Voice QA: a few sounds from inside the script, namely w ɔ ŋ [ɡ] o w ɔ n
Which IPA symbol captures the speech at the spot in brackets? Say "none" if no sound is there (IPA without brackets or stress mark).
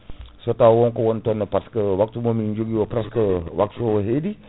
k